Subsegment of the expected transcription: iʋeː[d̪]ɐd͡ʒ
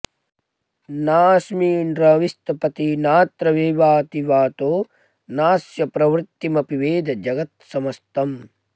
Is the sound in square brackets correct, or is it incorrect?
correct